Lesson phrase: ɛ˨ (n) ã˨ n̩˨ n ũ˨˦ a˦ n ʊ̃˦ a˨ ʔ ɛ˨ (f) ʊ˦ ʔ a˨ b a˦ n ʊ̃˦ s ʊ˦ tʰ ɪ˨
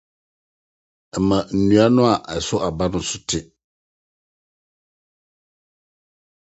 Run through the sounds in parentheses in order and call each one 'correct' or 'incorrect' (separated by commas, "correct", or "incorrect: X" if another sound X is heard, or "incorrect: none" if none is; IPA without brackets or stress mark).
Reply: incorrect: m, incorrect: s